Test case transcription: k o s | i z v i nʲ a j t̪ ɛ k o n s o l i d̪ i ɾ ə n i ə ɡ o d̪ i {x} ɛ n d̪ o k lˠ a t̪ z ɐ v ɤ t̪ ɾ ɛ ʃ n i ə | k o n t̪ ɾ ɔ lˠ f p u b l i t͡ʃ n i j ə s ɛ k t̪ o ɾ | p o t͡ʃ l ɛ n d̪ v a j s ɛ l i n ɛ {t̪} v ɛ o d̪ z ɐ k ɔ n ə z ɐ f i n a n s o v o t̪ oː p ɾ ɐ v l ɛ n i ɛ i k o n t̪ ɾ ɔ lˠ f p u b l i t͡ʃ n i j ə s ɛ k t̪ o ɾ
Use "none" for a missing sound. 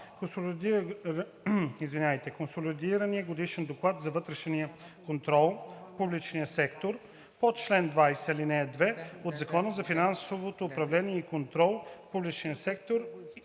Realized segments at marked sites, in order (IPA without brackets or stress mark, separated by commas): ʃ, d̪